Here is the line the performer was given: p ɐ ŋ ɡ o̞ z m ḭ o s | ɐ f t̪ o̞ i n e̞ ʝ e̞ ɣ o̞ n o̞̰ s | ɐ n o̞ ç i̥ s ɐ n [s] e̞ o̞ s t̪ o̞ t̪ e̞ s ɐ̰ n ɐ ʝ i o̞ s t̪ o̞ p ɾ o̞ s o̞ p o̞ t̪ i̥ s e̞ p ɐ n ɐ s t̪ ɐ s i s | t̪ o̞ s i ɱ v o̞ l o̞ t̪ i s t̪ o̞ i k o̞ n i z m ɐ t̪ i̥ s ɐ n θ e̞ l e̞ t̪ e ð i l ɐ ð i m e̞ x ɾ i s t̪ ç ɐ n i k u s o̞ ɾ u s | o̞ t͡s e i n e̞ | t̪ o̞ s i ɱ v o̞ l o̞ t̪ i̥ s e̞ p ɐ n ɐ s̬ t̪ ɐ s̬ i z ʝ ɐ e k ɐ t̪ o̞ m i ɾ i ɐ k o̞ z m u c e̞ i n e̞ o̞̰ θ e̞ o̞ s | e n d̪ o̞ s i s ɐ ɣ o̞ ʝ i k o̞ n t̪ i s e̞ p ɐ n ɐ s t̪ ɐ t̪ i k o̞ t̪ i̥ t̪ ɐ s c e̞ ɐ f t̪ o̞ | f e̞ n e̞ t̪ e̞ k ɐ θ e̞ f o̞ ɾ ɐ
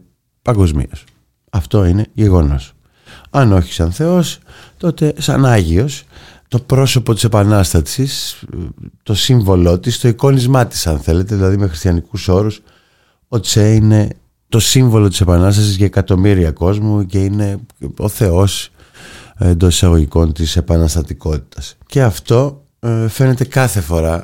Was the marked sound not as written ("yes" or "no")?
yes